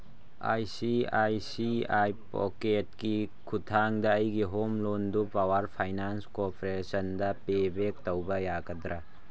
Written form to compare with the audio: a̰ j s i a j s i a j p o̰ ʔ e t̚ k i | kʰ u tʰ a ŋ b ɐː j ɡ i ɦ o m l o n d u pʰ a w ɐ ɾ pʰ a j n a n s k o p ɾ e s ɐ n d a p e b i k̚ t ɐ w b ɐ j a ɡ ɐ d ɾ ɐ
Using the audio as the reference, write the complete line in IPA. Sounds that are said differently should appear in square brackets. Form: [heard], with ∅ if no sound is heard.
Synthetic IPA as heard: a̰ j s i a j s i a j p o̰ [k] e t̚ k i | kʰ u tʰ a ŋ [d] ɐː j ɡ i ɦ o m l o n d u [p] a w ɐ ɾ pʰ a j n a n s k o p ɾ e s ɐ n d [ɐ] p e b [e] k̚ t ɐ w b ɐ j a ɡ ɐ d ɾ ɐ